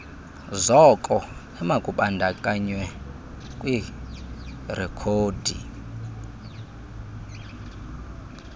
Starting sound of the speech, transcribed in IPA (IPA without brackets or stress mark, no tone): z